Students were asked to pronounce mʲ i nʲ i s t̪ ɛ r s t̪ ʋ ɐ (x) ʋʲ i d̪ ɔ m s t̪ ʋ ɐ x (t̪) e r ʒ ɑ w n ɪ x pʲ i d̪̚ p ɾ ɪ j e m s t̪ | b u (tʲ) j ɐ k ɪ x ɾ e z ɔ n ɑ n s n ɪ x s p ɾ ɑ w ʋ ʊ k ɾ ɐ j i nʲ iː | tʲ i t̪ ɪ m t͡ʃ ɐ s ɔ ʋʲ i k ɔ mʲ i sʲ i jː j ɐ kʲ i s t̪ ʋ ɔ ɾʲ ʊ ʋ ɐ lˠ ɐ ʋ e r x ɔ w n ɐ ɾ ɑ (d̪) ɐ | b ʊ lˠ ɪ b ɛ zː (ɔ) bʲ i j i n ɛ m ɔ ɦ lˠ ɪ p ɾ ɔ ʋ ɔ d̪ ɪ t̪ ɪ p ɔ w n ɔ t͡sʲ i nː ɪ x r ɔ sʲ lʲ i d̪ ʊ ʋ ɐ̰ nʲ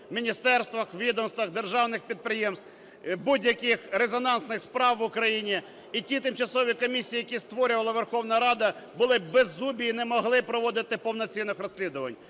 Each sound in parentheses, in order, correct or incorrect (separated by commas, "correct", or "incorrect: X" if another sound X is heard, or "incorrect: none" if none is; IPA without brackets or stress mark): correct, incorrect: d̪, incorrect: dʲ, correct, incorrect: u